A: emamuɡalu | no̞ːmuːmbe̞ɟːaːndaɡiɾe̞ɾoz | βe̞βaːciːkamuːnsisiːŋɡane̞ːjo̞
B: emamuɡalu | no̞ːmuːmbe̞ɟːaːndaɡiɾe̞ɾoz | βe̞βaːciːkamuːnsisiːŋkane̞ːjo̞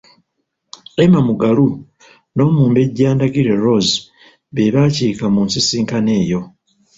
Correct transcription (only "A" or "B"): B